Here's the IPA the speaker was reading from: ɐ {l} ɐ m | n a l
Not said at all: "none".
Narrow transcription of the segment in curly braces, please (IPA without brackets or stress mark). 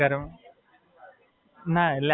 ɾ